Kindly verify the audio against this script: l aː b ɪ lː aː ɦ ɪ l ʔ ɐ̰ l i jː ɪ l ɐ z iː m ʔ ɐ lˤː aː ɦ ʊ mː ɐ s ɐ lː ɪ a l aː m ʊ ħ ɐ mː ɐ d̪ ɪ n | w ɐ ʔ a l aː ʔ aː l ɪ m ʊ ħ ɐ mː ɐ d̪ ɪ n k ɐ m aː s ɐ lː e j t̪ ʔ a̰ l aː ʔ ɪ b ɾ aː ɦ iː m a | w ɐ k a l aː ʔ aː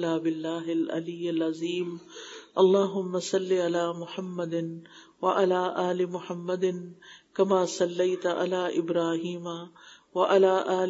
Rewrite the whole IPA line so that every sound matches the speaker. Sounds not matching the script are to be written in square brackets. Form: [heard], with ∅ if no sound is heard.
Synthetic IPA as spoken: l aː b ɪ lː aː ɦ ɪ l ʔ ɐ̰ l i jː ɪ l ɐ z iː m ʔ ɐ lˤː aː ɦ ʊ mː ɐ s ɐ lː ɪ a l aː m ʊ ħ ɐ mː ɐ d̪ ɪ n | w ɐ ʔ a l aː ʔ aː l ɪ m ʊ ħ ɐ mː ɐ d̪ ɪ n k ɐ m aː s ɐ lː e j t̪ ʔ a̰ l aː ʔ ɪ b ɾ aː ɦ iː m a | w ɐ [ʔ] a l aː ʔ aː